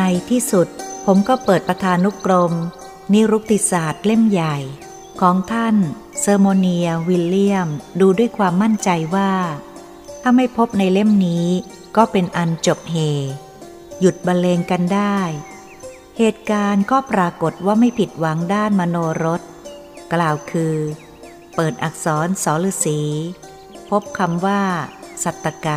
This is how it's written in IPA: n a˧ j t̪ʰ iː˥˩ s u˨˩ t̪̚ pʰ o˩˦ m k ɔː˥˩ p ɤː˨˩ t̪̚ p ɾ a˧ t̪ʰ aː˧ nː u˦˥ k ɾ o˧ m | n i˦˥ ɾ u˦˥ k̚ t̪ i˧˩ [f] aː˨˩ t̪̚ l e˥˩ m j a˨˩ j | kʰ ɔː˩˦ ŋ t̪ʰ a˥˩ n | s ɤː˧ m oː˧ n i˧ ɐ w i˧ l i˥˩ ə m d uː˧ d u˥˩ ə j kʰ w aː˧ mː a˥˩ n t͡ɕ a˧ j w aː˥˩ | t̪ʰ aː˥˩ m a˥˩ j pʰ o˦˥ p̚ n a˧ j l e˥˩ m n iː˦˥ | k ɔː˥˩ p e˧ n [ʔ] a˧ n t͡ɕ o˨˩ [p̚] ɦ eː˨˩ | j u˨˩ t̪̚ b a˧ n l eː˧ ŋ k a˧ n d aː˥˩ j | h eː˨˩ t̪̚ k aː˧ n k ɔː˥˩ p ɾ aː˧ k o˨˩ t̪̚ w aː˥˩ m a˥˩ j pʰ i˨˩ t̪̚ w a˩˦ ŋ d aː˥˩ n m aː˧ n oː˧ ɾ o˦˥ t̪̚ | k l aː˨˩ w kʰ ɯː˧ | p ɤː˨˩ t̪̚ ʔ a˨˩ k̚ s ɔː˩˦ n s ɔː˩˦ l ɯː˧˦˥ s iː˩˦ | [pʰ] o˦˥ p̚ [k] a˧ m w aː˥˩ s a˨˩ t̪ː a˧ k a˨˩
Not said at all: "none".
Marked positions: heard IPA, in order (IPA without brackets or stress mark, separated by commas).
s, ʔ, p̚, pʰ, kʰ